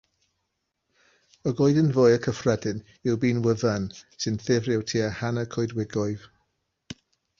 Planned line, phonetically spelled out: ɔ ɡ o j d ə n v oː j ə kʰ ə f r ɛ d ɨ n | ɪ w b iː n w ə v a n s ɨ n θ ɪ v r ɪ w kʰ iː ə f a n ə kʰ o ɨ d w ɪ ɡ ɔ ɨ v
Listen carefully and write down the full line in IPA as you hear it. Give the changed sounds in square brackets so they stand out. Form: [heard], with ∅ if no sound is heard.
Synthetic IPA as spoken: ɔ ɡ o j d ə n v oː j ə kʰ ə f r ɛ d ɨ n | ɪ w b iː n w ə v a n s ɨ n θ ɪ v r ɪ w [tʰ] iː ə [h] a n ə kʰ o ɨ d w ɪ ɡ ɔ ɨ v